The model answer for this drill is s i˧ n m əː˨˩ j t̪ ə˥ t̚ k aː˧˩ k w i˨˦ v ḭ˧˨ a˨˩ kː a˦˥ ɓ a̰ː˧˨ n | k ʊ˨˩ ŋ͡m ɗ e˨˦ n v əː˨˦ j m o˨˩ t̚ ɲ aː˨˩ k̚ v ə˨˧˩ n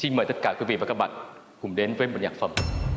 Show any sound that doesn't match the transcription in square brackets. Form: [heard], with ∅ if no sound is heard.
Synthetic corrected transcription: s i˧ n m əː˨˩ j t̪ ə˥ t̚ k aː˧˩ k w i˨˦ v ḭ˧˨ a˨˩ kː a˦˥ ɓ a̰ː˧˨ n | k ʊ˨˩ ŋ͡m ɗ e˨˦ n v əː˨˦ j m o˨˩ t̚ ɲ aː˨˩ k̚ [f] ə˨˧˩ [m]

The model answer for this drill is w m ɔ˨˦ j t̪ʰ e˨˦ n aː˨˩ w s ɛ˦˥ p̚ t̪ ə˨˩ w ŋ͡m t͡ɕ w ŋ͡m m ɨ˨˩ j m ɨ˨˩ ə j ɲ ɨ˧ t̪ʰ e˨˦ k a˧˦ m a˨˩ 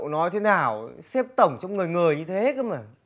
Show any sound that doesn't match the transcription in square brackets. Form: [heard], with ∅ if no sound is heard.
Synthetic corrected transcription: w [n] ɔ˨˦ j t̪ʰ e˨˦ n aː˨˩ w s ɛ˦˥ p̚ t̪ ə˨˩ w ŋ͡m t͡ɕ w ŋ͡m [ŋ] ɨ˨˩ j [ŋ] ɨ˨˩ ə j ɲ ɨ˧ t̪ʰ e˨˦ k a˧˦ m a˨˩

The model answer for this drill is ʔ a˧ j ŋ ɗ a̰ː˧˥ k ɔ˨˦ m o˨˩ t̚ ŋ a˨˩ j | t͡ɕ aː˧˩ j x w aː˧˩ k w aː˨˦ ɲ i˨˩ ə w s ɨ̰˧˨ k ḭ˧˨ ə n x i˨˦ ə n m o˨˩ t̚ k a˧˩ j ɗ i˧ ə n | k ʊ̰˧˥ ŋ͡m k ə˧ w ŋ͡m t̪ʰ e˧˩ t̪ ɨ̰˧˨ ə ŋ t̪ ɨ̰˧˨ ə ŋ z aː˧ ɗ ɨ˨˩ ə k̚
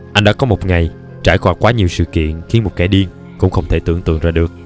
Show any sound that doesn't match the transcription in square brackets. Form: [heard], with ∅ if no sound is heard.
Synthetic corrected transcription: ʔ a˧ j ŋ ɗ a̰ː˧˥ k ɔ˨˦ m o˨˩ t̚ ŋ a˨˩ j | t͡ɕ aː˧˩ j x w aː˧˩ k w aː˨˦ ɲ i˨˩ ə w s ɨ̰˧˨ k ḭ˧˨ ə n x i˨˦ ə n m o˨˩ t̚ k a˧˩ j ɗ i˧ ə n | k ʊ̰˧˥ ŋ͡m [x] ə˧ w ŋ͡m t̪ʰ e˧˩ t̪ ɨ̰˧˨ ə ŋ t̪ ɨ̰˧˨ ə ŋ z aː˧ ɗ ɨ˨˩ ə k̚

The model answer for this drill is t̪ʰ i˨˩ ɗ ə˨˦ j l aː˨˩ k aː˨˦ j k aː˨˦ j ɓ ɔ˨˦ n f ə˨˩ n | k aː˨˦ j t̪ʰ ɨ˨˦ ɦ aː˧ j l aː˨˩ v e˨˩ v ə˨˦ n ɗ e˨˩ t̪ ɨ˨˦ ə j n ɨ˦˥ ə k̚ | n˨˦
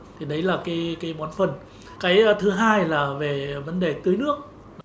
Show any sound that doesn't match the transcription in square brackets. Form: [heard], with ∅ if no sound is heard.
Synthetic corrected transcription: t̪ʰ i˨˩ ɗ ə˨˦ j l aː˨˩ k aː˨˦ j k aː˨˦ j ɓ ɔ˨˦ n f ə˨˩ n | k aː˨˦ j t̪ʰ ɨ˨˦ ɦ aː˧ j l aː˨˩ v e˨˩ v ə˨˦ n ɗ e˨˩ t̪ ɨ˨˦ ə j n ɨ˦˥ ə k̚ | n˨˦

